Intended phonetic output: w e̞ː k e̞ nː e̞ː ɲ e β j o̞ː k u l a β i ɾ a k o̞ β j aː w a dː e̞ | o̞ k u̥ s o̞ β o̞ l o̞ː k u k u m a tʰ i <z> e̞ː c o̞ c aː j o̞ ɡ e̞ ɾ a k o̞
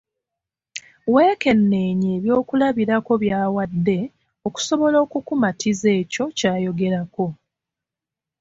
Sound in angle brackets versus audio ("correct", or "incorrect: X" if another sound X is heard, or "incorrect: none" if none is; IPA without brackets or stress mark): correct